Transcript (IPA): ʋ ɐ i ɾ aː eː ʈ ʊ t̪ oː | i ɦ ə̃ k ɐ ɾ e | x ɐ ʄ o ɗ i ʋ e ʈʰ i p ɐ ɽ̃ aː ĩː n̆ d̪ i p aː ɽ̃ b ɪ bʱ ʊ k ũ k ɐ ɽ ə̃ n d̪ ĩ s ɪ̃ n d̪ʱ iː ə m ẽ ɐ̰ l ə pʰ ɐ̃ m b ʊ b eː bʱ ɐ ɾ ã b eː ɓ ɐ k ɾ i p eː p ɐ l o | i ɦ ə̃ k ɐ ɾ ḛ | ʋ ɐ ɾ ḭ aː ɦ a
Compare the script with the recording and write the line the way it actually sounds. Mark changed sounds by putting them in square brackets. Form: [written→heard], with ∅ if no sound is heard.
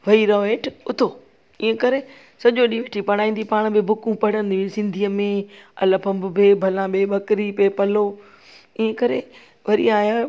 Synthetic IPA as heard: ʋ ɐ i ɾ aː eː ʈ ʊ [t̪→t̪ʰ] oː | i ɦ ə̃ k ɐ ɾ e | [x→s] ɐ ʄ o ɗ i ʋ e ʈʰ i p ɐ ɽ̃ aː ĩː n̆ d̪ i p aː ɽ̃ b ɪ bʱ ʊ k ũ [k→p] ɐ ɽ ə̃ n d̪ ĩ s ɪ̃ n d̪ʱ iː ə m ẽ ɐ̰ l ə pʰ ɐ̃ m b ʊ b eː bʱ ɐ [ɾ→l] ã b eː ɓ ɐ k ɾ i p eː p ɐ l o | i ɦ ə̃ k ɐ ɾ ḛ | ʋ ɐ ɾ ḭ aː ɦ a

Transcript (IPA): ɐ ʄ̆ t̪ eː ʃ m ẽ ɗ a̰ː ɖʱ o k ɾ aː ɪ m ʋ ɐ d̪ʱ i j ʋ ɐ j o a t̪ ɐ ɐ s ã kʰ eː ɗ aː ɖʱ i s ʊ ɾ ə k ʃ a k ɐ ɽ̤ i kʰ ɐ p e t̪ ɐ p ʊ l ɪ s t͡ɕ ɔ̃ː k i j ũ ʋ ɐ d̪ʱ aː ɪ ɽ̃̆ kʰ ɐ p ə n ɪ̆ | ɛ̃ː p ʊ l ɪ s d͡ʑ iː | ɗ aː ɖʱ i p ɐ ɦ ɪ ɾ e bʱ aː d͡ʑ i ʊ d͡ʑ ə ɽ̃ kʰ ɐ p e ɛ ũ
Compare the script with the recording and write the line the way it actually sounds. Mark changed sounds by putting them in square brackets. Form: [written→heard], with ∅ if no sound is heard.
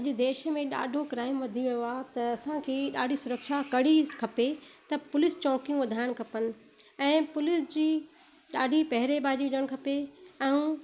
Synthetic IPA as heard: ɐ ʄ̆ [t̪→d̪] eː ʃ m ẽ ɗ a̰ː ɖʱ o k ɾ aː ɪ m ʋ ɐ d̪ʱ i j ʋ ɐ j o a t̪ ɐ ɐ s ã kʰ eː ɗ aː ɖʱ i s ʊ ɾ ə k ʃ a k ɐ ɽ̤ i kʰ ɐ p e t̪ ɐ p ʊ l ɪ s t͡ɕ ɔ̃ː k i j ũ ʋ ɐ d̪ʱ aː ɪ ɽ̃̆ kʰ ɐ p ə n ɪ̆ | ɛ̃ː p ʊ l ɪ s d͡ʑ iː | ɗ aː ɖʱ i p ɐ ɦ ɪ ɾ e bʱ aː d͡ʑ i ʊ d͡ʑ ə ɽ̃ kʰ ɐ p e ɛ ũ

